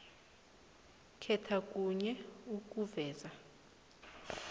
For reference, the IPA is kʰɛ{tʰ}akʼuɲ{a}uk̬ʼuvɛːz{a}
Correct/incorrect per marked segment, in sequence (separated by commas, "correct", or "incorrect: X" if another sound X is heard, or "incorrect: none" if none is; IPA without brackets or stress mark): correct, incorrect: ɛ, correct